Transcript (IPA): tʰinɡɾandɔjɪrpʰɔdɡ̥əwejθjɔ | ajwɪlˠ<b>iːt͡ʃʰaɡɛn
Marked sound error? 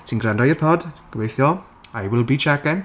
no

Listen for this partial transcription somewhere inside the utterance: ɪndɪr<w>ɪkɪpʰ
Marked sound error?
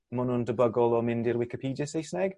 no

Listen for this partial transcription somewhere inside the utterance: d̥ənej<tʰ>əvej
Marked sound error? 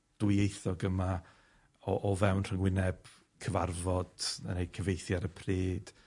yes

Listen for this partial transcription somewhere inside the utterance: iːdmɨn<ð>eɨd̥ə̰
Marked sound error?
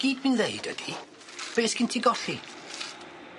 no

